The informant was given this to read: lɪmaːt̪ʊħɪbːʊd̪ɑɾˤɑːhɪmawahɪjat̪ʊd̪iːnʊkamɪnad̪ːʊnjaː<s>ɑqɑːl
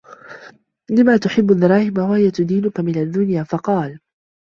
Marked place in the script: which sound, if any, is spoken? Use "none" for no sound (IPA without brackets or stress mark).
f